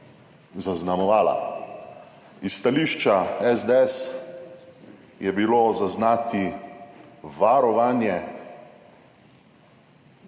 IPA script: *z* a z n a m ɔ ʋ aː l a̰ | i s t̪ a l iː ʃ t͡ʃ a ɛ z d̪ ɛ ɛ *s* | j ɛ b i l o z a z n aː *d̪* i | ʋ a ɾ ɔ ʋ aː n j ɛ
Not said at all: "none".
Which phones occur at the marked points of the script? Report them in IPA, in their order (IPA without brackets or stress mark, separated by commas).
z, s, t̪